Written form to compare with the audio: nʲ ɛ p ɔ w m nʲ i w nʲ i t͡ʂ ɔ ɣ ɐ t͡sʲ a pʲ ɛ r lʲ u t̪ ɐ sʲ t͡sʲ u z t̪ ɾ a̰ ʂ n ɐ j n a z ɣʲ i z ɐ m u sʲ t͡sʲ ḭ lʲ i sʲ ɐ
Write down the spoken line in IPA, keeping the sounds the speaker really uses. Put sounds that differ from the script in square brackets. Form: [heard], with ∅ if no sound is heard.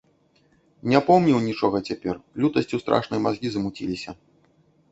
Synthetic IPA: nʲ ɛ p ɔ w m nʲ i w nʲ i t͡ʂ ɔ ɣ ɐ t͡sʲ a pʲ ɛ r lʲ u t̪ ɐ sʲ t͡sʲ u [s] t̪ ɾ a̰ ʂ n ɐ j [m] a z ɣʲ i z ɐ m u [∅] t͡sʲ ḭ lʲ i sʲ ɐ